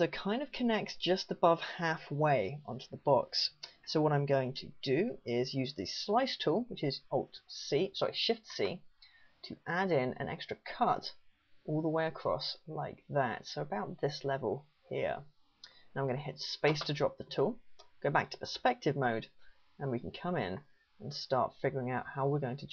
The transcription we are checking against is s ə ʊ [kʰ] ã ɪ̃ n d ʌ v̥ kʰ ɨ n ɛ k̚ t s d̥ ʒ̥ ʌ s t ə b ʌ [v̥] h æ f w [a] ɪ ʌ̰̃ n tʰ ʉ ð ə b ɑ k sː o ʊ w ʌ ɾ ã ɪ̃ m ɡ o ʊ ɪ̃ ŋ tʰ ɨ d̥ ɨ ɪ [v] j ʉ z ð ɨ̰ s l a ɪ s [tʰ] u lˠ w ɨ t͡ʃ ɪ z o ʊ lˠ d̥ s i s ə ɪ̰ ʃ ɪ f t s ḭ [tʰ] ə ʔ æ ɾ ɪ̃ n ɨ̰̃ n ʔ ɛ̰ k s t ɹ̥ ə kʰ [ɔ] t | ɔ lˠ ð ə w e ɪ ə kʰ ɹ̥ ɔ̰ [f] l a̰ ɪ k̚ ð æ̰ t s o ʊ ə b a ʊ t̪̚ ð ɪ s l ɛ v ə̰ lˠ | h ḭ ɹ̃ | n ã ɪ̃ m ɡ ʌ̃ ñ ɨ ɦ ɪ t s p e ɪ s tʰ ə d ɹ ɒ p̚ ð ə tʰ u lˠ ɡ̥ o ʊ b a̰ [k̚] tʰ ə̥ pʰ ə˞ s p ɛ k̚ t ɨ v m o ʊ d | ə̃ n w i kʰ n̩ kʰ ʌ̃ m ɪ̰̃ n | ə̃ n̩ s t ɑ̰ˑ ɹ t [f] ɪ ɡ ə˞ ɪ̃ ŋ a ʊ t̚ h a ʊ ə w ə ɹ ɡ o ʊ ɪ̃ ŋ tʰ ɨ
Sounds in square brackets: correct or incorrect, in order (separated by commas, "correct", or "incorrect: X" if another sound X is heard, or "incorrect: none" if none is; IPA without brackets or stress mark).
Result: correct, correct, incorrect: e, incorrect: z, correct, correct, incorrect: ʌ, incorrect: s, correct, correct